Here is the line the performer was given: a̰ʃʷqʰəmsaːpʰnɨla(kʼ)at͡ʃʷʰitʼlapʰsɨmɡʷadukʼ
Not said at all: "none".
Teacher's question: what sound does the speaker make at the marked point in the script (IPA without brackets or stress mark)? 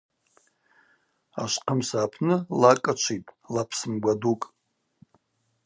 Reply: kʼ